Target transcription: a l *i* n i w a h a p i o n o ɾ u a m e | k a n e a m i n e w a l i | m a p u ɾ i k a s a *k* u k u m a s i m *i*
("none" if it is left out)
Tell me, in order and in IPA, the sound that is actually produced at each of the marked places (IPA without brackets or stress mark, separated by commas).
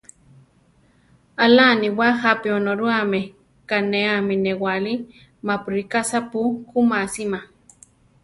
a, p, a